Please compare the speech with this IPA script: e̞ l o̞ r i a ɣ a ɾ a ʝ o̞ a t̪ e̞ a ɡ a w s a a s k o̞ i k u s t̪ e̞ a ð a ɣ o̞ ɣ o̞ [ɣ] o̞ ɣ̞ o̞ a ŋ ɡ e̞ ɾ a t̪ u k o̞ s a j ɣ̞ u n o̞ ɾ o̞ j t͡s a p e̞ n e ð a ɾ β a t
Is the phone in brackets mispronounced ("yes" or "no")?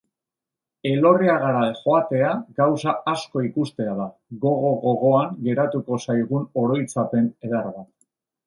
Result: no